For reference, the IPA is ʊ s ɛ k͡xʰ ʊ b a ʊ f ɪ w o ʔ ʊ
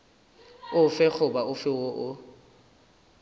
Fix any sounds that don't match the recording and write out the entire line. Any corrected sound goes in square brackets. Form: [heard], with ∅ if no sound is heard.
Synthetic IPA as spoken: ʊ [f] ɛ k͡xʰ ʊ b a ʊ f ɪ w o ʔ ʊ